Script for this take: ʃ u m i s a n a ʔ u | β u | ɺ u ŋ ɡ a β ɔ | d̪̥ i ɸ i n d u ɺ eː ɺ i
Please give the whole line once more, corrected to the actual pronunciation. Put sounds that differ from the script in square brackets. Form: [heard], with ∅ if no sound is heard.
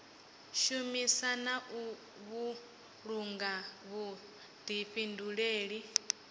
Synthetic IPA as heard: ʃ u m i s a n a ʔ u | β u | ɺ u ŋ ɡ a β [u] | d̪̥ i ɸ i n d u ɺ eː ɺ i